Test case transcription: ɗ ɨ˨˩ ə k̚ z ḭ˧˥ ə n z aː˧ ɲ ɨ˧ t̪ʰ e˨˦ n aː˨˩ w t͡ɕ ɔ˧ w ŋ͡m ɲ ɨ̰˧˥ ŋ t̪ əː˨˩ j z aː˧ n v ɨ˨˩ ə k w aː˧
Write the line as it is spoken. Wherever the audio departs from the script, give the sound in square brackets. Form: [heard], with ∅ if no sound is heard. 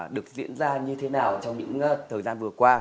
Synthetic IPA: ɗ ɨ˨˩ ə k̚ z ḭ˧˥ ə n z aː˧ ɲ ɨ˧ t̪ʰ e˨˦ n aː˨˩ w t͡ɕ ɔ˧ w ŋ͡m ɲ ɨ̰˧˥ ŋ [t̪ʰ] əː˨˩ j z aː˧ n v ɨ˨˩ ə k w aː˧